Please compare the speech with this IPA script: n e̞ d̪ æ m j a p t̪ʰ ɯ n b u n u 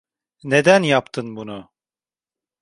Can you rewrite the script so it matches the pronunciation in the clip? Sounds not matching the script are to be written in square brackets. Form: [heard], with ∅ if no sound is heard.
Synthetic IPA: n e̞ d̪ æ [n] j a p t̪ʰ ɯ n b u n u

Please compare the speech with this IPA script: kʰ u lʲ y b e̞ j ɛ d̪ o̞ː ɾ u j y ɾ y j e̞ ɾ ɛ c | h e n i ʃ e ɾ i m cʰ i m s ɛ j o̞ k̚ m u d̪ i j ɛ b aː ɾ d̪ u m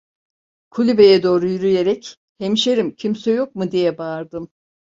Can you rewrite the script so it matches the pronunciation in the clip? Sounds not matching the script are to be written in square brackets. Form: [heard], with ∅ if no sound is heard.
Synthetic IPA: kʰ u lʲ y b e̞ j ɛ d̪ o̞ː ɾ u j y ɾ y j e̞ ɾ ɛ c | h e [m] i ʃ e ɾ i m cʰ i m s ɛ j o̞ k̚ m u d̪ i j ɛ b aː ɾ d̪ [ɯ] m

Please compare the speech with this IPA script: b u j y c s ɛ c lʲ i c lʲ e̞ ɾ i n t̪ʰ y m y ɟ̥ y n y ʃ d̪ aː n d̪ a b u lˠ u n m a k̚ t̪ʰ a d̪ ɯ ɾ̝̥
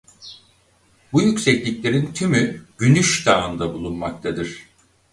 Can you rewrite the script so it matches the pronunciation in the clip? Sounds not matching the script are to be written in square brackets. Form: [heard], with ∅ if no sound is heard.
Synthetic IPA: b u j y c s ɛ c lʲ i c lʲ e̞ ɾ i n t̪ʰ y m y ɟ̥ y n y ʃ d̪ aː n d̪ a b u lˠ u n m a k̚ t̪ʰ a d̪ ɯ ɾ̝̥

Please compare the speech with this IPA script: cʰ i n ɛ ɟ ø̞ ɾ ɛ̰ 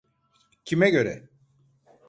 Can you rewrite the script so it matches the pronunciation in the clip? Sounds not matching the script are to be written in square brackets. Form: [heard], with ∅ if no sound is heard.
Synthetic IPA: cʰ i [m] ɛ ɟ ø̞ ɾ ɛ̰

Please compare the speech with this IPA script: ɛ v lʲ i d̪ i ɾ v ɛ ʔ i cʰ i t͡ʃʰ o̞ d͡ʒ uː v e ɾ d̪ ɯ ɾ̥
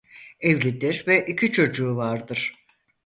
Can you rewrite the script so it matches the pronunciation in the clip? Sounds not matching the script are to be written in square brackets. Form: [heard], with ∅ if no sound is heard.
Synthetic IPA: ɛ v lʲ i d̪ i ɾ v ɛ ʔ i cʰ i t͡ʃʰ o̞ d͡ʒ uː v [a] ɾ d̪ ɯ ɾ̥

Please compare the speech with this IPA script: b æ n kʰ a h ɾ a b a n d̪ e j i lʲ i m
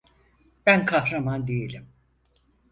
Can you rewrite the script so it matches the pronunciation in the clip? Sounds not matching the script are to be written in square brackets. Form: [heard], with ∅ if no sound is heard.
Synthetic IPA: b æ n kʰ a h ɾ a [m] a n d̪ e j [e] lʲ i m

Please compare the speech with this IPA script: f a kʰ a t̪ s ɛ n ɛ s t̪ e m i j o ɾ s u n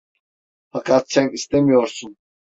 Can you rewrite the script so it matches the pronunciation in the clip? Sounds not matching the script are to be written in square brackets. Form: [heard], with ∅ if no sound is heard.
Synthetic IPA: f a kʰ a t̪ s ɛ n [i] s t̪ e m i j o ɾ s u n

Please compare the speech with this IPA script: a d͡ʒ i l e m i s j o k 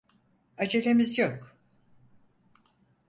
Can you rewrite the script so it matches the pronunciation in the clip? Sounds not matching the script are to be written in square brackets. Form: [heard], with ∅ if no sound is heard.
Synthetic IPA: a d͡ʒ [e] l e m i [z] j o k

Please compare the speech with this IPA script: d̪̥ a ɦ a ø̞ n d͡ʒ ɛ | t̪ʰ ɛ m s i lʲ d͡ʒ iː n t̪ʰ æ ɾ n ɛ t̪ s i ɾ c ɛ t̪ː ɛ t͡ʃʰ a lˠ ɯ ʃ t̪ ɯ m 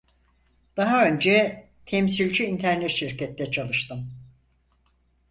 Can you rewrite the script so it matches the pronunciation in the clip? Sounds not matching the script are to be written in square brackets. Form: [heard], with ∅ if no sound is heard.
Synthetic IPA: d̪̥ a ɦ a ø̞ n d͡ʒ ɛ | t̪ʰ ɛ m s i lʲ d͡ʒ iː n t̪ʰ æ ɾ n ɛ t̪ [ʃ] i ɾ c ɛ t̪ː ɛ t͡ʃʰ a lˠ ɯ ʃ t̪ ɯ m

